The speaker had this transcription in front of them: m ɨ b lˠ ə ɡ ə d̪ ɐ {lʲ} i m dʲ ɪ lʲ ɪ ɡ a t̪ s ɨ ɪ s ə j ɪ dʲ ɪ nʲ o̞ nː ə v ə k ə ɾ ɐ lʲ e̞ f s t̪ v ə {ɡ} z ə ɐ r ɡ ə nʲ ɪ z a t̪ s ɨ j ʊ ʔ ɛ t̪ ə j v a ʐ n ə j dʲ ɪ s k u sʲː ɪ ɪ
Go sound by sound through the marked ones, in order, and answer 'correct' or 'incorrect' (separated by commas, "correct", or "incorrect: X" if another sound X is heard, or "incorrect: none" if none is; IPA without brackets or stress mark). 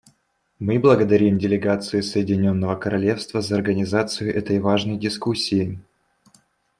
incorrect: ɾʲ, incorrect: none